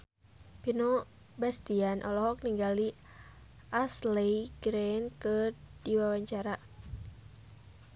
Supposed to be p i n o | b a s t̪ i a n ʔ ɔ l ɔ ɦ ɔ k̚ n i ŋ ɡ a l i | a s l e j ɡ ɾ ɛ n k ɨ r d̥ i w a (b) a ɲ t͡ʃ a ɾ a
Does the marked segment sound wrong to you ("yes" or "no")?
yes